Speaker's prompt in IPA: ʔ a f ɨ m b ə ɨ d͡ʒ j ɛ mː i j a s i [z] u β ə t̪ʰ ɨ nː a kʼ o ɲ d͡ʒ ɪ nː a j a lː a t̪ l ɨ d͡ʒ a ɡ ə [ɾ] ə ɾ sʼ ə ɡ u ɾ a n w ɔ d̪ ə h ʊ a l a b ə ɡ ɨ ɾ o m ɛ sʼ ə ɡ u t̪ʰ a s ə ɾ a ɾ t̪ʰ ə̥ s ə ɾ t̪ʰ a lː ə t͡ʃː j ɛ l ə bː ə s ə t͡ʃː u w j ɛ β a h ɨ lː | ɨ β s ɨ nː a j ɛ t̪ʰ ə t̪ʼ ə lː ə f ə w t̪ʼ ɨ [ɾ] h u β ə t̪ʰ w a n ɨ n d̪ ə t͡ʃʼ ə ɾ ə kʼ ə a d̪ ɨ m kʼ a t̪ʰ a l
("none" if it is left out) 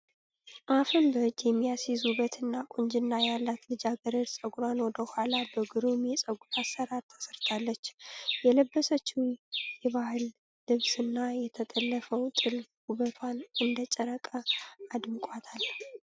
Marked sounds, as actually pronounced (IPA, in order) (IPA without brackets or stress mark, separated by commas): z, ɾ, l